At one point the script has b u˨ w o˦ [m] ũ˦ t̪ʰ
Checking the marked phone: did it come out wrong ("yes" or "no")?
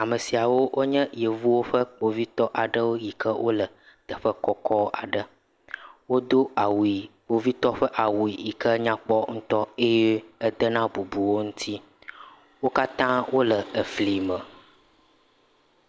yes